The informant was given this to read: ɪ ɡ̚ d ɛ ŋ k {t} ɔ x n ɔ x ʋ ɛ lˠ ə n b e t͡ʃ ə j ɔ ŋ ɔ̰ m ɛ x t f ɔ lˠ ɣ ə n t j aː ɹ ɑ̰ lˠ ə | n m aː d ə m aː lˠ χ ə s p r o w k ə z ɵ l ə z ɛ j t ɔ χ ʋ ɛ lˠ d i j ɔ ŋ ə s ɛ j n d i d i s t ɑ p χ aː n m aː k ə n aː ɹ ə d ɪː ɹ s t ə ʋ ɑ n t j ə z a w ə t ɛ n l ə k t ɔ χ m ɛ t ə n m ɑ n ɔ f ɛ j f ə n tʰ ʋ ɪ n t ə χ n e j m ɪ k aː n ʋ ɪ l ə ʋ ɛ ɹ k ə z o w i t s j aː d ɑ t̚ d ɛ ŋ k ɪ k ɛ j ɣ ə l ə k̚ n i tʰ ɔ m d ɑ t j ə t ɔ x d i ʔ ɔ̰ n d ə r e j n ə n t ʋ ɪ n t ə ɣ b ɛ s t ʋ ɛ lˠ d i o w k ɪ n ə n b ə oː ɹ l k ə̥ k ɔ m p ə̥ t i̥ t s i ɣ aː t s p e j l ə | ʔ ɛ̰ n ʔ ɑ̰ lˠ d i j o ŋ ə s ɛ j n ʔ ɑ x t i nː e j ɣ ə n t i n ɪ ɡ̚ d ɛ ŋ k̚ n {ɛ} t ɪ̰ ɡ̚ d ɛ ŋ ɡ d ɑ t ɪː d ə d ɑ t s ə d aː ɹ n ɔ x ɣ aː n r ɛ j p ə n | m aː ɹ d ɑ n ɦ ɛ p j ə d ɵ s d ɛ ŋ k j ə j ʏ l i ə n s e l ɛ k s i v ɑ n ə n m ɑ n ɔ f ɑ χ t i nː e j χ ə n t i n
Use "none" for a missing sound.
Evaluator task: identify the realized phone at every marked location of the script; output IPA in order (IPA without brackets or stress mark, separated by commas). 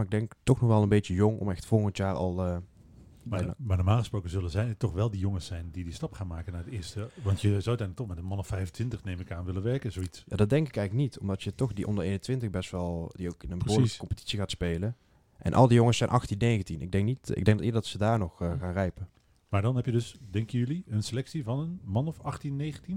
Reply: t, i